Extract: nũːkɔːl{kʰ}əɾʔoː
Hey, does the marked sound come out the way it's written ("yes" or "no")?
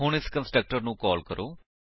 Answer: no